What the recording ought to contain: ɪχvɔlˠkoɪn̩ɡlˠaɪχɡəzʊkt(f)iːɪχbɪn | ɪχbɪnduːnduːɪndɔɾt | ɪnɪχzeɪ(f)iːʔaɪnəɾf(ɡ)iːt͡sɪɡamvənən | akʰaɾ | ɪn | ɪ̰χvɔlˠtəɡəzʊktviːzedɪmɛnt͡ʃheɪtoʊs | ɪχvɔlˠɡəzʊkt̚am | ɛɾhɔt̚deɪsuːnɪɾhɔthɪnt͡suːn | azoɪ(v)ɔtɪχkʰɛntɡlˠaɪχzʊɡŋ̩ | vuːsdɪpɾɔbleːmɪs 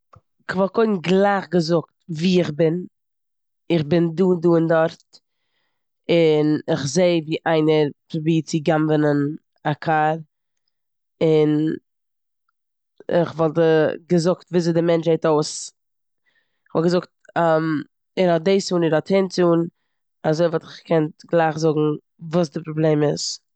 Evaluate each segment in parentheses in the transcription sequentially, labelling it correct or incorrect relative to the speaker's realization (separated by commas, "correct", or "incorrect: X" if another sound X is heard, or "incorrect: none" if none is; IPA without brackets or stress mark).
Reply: incorrect: v, incorrect: v, incorrect: b, correct